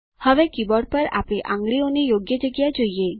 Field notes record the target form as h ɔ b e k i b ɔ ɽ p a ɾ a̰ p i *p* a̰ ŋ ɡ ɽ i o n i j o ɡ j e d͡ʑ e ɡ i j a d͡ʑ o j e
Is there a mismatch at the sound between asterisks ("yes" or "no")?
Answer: yes